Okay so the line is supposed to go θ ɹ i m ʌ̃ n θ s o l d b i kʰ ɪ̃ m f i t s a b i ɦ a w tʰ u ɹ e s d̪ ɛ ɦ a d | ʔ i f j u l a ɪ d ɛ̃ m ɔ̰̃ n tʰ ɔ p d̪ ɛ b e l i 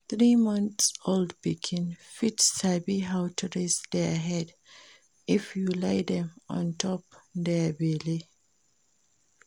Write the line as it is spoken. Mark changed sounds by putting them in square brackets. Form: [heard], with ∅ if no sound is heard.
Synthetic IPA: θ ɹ i m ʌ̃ n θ s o l d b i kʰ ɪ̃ [n] f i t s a b i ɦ a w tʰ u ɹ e s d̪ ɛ ɦ [ɛ] d | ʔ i f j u l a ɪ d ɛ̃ m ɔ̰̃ n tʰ ɔ p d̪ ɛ b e l i